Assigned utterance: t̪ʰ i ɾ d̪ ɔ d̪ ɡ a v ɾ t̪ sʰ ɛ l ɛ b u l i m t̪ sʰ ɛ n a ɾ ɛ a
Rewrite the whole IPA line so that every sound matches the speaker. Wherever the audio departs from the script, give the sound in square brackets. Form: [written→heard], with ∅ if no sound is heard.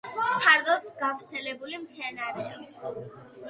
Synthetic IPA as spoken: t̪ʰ [i→a] ɾ d̪ ɔ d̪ ɡ a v ɾ t̪ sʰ ɛ l ɛ b u l i m t̪ sʰ ɛ n a ɾ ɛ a